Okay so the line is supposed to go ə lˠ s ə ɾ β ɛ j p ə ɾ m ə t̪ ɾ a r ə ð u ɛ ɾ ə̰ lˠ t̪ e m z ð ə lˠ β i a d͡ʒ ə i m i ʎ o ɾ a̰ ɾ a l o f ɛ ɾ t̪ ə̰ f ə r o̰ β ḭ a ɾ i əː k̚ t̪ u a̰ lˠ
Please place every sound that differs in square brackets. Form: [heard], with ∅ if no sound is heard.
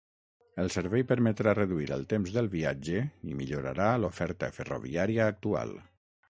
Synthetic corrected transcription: ə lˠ s ə ɾ β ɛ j p ə ɾ m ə t̪ ɾ a r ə ð u [i] ɾ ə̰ lˠ t̪ e m z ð ə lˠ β i a d͡ʒ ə i m i ʎ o ɾ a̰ ɾ a l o f ɛ ɾ t̪ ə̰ f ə r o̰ β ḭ a ɾ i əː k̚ t̪ u a̰ lˠ